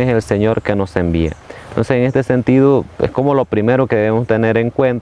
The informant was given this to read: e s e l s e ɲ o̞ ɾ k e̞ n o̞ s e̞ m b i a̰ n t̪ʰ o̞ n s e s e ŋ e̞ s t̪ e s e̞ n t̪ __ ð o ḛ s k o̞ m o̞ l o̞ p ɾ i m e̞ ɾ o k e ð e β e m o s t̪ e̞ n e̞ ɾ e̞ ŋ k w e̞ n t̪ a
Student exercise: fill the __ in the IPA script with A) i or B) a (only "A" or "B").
A